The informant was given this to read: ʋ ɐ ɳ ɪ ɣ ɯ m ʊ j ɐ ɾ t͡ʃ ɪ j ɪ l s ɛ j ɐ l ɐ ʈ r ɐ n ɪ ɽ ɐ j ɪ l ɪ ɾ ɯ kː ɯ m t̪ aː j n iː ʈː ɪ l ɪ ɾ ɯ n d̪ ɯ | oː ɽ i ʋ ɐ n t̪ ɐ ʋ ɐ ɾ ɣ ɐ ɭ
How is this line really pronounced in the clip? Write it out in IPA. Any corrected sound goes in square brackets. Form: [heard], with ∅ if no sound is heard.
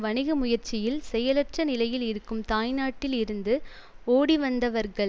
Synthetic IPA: ʋ ɐ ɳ ɪ ɣ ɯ m ʊ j ɐ ɾ t͡ʃ ɪ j ɪ l s ɛ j ɐ l ɐ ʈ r ɐ n ɪ [l] ɐ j ɪ l ɪ ɾ ɯ kː ɯ m t̪ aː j n [aː] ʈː ɪ l ɪ ɾ ɯ n d̪ ɯ | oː ɽ i ʋ ɐ n [d̪] ɐ ʋ ɐ ɾ ɣ ɐ ɭ

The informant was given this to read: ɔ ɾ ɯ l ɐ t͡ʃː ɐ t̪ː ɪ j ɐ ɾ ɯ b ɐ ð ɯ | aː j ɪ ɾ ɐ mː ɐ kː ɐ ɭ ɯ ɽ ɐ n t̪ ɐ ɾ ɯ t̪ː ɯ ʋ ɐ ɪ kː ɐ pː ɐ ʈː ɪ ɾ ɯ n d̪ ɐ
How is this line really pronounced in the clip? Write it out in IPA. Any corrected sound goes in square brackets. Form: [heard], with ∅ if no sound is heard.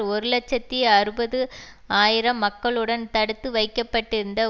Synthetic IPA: ɔ ɾ ɯ l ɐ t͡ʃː ɐ t̪ː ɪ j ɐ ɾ ɯ b ɐ ð ɯ | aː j ɪ ɾ ɐ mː ɐ kː ɐ ɭ ɯ ɽ ɐ n t̪ ɐ [ɽ] ɯ t̪ː ɯ ʋ ɐ ɪ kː ɐ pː ɐ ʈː ɪ ɾ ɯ n d̪ ɐ

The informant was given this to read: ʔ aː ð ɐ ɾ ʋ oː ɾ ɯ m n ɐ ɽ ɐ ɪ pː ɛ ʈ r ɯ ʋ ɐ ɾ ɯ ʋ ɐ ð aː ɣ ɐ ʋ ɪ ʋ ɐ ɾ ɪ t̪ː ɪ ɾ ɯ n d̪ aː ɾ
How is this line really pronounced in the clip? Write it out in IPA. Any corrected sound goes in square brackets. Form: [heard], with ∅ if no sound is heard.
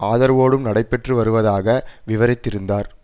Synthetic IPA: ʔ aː ð ɐ ɾ ʋ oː [ɽ] ɯ m n ɐ ɽ ɐ ɪ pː ɛ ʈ r ɯ ʋ ɐ ɾ ɯ ʋ ɐ ð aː ɣ ɐ ʋ ɪ ʋ ɐ ɾ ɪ t̪ː ɪ ɾ ɯ n d̪ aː ɾ

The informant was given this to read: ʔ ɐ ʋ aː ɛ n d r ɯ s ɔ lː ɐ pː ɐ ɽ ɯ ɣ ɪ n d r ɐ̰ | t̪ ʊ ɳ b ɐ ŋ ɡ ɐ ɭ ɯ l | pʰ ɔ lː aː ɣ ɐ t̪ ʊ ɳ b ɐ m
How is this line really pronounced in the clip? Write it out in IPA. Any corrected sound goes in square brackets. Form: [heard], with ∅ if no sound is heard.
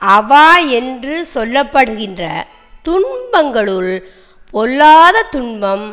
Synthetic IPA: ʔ ɐ ʋ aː ɛ n d r ɯ s ɔ lː ɐ pː ɐ ɽ ɯ ɣ ɪ n d r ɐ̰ | t̪ ʊ ɳ b ɐ ŋ ɡ ɐ ɭ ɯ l | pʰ ɔ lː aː [ð] ɐ t̪ ʊ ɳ b ɐ m

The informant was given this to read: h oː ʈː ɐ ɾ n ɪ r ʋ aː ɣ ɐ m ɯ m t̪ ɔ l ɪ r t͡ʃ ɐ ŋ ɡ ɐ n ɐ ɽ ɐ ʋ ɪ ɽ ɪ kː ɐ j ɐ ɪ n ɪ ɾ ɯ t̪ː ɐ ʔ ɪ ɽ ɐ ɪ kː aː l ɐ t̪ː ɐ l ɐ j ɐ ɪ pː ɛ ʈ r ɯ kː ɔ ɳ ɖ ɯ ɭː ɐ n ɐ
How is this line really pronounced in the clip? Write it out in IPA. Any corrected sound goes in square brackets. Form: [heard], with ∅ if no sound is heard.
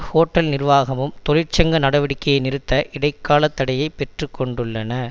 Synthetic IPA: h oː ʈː ɐ [l] n ɪ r ʋ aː ɣ ɐ m ɯ m t̪ ɔ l ɪ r t͡ʃ ɐ ŋ ɡ ɐ n ɐ ɽ ɐ ʋ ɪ ɽ ɪ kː ɐ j ɐ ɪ n ɪ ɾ ɯ t̪ː ɐ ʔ ɪ ɽ ɐ ɪ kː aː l ɐ t̪ː ɐ [ɽ] ɐ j ɐ ɪ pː ɛ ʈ r ɯ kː ɔ ɳ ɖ ɯ ɭː ɐ n ɐ

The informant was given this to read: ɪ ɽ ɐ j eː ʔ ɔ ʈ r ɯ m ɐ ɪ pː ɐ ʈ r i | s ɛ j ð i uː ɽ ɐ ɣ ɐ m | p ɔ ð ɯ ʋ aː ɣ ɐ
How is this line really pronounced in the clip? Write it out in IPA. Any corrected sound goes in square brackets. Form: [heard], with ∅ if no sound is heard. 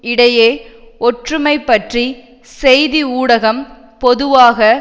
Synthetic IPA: ɪ ɽ ɐ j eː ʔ ɔ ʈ r ɯ m ɐ ɪ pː ɐ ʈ r i | s ɛ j ð i uː ɽ ɐ ɣ ɐ m | p ɔ ð ɯ ʋ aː ɣ ɐ

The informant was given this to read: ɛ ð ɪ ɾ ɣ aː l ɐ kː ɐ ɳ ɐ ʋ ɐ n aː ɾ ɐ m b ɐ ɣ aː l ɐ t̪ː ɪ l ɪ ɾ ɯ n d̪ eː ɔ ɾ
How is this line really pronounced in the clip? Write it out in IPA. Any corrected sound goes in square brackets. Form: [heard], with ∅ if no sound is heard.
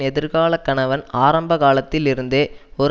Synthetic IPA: ɛ ð ɪ ɾ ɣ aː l ɐ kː ɐ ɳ ɐ ʋ ɐ n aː ɾ ɐ m b ɐ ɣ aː l ɐ t̪ː ɪ l ɪ ɾ ɯ n d̪ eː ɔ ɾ

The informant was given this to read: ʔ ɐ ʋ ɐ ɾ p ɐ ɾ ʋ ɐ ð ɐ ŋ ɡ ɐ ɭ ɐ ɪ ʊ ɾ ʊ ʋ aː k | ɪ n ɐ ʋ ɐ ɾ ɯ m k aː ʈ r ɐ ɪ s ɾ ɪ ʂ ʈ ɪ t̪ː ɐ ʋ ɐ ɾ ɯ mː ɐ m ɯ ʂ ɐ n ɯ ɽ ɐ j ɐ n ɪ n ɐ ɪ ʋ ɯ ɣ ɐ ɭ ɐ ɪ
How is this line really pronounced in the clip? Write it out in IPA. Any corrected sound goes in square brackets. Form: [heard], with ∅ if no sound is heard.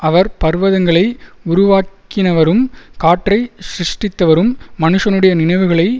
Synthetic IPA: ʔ ɐ ʋ ɐ ɾ p ɐ ɾ ʋ ɐ ð ɐ ŋ ɡ ɐ ɭ ɐ ɪ ʊ ɾ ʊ ʋ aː k | ɪ n ɐ ʋ ɐ ɾ ɯ m k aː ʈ r ɐ ɪ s ɾ ɪ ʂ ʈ ɪ t̪ː ɐ ʋ ɐ ɾ ɯ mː ɐ [n] ɯ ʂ ɐ n ɯ ɽ ɐ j ɐ n ɪ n ɐ ɪ ʋ ɯ ɣ ɐ ɭ ɐ ɪ

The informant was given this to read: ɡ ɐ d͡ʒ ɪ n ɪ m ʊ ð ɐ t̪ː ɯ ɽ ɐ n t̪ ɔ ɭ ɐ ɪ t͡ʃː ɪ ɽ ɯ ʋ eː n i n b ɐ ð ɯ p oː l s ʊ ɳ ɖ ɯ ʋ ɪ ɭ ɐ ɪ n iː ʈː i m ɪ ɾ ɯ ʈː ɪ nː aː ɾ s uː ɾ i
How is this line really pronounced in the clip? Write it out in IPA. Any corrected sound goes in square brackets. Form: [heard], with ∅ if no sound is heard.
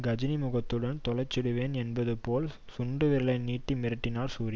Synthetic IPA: ɡ ɐ d͡ʒ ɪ n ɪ m ʊ [ɣ] ɐ t̪ː ɯ ɽ ɐ n t̪ ɔ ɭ ɐ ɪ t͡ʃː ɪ ɽ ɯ ʋ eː n [ɛ] n b ɐ ð ɯ p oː l s ʊ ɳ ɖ ɯ ʋ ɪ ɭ ɐ ɪ n iː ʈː i m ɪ ɾ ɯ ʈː ɪ [n] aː ɾ s uː ɾ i

